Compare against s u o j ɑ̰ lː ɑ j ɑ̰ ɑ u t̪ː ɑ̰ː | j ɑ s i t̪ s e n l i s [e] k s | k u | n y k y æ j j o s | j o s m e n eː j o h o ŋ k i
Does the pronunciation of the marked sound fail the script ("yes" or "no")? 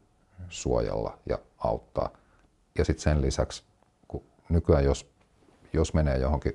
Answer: yes